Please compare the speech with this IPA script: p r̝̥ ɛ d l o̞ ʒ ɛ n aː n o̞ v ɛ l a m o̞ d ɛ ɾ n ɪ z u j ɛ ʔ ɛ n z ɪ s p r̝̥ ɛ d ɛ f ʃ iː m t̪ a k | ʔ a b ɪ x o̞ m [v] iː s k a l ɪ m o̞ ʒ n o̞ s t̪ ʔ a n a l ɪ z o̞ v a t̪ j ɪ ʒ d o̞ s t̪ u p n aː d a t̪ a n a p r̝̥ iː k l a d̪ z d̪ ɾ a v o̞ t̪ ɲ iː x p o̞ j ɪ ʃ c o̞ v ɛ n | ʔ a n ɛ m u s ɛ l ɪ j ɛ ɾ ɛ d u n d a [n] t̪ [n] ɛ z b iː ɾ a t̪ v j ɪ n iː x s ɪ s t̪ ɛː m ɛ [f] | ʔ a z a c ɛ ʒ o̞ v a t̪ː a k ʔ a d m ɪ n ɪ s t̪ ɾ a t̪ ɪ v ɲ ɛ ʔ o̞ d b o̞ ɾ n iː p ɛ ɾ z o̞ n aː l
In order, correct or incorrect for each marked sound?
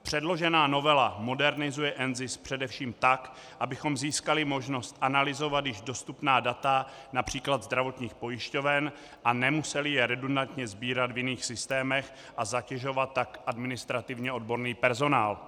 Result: incorrect, correct, incorrect, incorrect

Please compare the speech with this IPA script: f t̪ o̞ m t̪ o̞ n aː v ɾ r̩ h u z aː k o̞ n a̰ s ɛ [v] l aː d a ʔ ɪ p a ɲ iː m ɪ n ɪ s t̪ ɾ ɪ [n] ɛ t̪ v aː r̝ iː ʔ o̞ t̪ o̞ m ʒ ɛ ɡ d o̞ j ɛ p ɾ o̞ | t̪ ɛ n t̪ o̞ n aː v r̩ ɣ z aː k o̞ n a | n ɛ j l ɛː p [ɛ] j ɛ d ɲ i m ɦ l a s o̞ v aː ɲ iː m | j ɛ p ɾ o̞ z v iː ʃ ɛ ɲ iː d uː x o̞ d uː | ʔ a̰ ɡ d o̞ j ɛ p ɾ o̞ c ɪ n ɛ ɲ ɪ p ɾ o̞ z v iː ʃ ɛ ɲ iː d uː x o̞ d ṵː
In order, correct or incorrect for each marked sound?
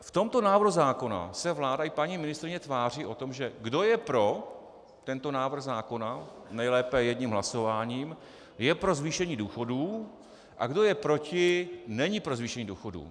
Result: correct, incorrect, correct

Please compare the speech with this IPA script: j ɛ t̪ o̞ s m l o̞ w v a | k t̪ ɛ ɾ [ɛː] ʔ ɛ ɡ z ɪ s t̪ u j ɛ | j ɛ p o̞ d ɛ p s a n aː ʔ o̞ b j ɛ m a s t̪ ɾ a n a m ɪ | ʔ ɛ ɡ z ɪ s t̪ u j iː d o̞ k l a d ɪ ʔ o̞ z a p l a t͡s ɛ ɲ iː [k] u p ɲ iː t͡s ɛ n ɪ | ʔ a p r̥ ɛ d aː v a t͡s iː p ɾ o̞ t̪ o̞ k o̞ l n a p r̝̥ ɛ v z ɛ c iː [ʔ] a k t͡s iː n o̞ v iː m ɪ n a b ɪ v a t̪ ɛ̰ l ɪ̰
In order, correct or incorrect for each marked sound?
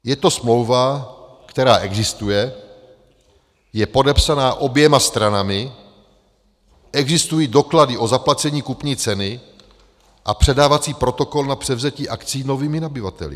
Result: incorrect, correct, correct

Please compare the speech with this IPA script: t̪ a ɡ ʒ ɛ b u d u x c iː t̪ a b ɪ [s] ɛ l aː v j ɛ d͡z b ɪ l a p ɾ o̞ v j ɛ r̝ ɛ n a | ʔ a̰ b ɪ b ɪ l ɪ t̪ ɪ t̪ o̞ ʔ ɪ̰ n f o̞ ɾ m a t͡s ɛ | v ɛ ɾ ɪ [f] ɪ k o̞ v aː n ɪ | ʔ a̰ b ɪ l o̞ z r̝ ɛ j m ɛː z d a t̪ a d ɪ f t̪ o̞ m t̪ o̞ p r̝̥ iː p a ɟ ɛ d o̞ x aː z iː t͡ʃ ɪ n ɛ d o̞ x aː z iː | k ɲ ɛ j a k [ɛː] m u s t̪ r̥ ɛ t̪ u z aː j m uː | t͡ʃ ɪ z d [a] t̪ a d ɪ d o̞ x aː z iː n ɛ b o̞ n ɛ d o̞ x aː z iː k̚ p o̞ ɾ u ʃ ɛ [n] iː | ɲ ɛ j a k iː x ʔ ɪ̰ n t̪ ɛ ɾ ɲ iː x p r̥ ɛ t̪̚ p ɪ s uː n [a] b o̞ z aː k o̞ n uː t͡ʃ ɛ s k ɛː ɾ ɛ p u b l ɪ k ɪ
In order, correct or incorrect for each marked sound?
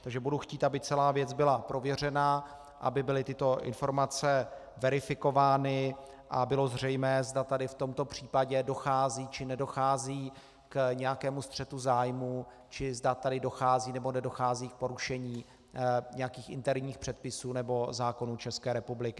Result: incorrect, correct, correct, correct, incorrect, incorrect

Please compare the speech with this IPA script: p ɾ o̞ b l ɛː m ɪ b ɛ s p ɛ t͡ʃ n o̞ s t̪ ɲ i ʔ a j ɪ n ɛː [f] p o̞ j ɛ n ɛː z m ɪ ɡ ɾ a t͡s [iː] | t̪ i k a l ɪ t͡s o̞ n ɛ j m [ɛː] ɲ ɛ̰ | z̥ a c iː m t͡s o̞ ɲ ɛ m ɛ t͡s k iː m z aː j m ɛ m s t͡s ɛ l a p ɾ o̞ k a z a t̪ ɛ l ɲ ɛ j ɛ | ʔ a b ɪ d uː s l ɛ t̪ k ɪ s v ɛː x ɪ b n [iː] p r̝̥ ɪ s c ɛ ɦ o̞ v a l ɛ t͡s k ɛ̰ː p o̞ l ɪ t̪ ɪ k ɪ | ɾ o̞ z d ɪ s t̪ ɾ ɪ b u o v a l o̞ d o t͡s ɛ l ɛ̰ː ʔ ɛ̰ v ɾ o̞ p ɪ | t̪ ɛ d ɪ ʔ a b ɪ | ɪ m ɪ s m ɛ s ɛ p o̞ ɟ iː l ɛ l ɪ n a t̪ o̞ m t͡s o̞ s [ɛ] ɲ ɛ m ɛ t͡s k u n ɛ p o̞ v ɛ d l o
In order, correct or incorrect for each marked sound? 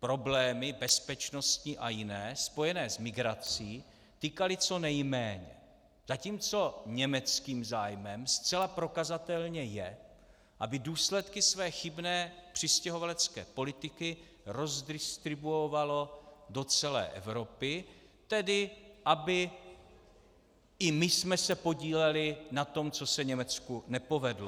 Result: incorrect, correct, correct, incorrect, correct

